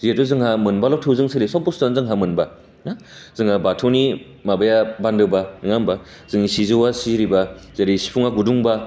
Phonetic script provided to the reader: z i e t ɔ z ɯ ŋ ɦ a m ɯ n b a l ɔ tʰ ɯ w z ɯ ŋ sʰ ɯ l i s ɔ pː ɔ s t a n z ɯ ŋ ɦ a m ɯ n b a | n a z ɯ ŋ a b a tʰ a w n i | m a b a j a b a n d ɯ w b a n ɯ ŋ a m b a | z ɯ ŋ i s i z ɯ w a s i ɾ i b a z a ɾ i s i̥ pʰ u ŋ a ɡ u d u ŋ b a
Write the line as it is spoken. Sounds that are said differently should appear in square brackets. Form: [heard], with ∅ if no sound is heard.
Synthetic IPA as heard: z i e t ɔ z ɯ ŋ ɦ a m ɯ n b a l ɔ tʰ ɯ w z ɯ ŋ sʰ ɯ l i s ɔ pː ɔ s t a n z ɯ ŋ ɦ a m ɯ n b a | n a z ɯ ŋ a b a tʰ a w n i | m a b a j a b a n d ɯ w b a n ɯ ŋ a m b a | z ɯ ŋ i s i z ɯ w a s i ɾ i b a z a ɾ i s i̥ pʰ u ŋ a ɡ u d u ŋ b a